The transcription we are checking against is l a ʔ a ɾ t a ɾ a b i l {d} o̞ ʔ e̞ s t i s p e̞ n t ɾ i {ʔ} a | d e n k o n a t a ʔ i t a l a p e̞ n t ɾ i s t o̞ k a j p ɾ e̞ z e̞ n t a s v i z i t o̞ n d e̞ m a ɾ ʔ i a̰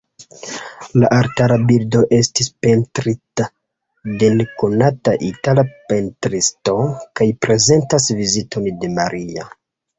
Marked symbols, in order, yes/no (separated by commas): yes, no